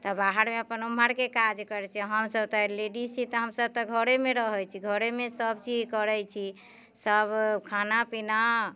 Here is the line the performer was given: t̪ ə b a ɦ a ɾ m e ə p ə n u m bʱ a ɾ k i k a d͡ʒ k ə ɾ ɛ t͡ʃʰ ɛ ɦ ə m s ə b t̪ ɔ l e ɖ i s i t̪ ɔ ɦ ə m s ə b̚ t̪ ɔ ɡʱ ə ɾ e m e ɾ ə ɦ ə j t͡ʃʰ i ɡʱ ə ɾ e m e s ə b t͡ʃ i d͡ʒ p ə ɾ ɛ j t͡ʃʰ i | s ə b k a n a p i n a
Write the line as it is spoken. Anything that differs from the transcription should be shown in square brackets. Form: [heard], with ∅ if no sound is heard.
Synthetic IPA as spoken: t̪ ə b a ɦ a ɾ m e ə p ə n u m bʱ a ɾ k [e] k a d͡ʒ k ə ɾ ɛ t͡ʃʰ ɛ ɦ ə m s ə b t̪ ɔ l e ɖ i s i t̪ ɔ ɦ ə m s ə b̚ t̪ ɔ ɡʱ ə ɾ e m e ɾ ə ɦ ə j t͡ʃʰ i ɡʱ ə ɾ e m e s ə b t͡ʃ i d͡ʒ [k] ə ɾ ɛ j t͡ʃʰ i | s ə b [kʰ] a n a p i n a